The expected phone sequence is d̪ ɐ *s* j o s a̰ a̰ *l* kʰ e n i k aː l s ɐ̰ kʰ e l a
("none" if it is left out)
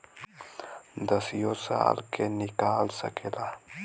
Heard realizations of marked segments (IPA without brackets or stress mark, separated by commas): s, l